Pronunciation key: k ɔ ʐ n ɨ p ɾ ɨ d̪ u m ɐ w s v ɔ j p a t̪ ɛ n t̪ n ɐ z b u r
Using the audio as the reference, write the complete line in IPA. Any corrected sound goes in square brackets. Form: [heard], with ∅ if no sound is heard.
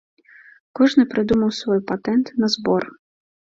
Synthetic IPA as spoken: k ɔ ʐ n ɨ p ɾ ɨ d̪ u m ɐ w s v ɔ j p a t̪ ɛ n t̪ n ɐ z b [ɔ] r